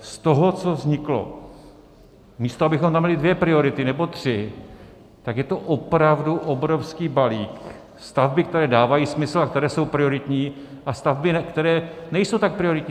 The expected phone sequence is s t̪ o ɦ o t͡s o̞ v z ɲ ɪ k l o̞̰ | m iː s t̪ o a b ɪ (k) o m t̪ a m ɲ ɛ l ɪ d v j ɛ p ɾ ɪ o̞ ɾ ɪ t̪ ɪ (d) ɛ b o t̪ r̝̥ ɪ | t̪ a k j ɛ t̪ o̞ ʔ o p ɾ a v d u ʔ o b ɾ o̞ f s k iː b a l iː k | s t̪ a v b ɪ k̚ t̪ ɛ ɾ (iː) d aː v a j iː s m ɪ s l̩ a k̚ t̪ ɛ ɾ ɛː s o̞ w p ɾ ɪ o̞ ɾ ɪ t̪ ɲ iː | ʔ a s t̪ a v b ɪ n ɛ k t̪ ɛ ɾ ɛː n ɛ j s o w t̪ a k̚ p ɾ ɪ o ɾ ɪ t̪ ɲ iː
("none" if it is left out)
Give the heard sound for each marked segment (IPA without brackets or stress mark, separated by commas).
x, n, ɛː